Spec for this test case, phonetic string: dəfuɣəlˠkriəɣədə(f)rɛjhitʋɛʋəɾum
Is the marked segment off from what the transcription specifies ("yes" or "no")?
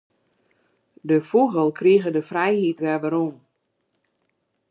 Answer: no